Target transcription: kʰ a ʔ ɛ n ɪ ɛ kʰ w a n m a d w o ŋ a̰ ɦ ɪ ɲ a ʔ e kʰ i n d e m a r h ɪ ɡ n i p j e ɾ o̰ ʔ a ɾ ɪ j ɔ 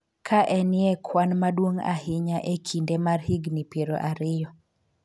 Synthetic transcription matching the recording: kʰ a ʔ ɛ n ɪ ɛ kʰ w a n m a d w o ŋ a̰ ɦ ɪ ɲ a ʔ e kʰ i n d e m a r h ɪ ɡ n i p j e ɾ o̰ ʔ a ɾ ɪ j ɔ